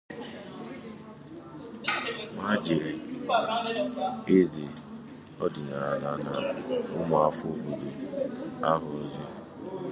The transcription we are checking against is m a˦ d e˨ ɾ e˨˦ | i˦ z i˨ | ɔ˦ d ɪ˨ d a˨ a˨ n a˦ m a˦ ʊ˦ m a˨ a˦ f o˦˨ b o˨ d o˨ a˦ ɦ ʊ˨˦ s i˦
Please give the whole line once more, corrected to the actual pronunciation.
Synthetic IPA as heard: m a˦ d͡ʒ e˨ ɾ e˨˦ | e˦ z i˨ | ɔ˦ d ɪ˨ n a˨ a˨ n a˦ n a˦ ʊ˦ m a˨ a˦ f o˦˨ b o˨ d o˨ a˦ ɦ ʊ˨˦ z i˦